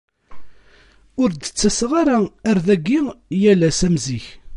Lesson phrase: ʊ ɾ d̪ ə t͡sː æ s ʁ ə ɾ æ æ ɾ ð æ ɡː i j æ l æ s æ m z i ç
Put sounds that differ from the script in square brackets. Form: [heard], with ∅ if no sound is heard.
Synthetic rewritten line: ʊ ɾ d̪ ə t͡sː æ s ʁ [a] ɾ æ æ ɾ ð æ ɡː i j æ l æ s æ m z i ç